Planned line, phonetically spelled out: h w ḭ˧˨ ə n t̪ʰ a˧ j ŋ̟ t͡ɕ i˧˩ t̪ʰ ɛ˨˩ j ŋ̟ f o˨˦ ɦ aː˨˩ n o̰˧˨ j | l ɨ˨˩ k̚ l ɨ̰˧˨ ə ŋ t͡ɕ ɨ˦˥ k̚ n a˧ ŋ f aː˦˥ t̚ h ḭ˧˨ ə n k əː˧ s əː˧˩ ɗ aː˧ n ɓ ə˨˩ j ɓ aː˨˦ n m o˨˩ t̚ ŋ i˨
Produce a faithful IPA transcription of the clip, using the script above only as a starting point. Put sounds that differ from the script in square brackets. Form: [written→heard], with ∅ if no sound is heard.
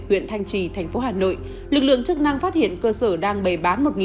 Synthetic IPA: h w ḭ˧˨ ə n t̪ʰ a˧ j ŋ̟ t͡ɕ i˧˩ t̪ʰ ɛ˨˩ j ŋ̟ f o˨˦ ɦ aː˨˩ n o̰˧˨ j | l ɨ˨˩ k̚ l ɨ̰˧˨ ə ŋ t͡ɕ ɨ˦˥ k̚ n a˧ ŋ f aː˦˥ t̚ h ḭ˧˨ ə n k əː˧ s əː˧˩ ɗ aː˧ [n→ŋ] ɓ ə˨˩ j ɓ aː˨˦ n m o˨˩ t̚ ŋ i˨